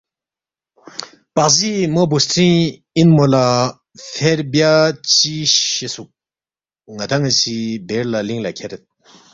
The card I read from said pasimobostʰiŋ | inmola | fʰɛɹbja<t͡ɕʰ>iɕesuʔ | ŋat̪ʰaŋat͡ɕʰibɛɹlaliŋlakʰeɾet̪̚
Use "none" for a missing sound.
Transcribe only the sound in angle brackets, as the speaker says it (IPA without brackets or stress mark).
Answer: t͡ɕ